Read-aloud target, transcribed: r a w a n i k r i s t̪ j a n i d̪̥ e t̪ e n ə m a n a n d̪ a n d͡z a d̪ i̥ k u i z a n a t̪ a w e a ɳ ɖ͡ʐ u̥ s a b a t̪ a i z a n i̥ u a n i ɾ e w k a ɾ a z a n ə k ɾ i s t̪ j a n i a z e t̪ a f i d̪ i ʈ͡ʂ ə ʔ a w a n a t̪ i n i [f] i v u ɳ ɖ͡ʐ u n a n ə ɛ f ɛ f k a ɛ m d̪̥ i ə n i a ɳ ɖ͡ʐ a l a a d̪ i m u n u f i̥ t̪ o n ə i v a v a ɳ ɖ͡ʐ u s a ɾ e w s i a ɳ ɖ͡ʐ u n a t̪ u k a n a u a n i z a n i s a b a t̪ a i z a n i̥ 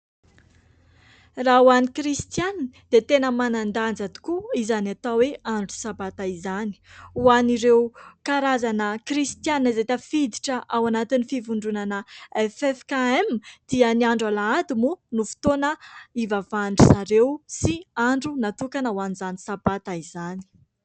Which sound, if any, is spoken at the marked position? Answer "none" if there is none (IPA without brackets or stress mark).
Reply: f